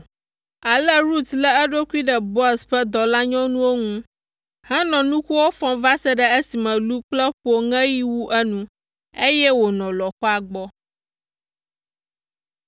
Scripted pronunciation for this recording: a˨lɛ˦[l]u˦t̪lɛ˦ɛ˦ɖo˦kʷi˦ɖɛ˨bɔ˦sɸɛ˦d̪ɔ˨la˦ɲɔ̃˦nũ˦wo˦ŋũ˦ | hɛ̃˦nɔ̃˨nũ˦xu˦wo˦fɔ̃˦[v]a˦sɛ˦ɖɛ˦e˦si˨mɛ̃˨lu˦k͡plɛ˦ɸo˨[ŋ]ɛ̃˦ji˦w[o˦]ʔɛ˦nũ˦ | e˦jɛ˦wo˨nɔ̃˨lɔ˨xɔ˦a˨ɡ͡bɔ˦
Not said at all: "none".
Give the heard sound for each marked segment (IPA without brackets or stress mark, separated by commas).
ɾ, v, ŋ, u˦